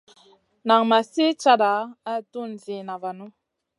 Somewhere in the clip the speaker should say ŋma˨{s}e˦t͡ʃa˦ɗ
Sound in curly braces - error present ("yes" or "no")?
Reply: no